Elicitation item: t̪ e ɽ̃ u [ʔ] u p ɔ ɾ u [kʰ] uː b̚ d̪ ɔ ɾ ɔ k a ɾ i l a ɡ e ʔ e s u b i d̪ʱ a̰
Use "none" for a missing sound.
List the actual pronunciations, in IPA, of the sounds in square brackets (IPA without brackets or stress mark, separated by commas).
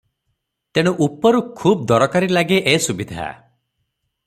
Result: ʔ, kʰ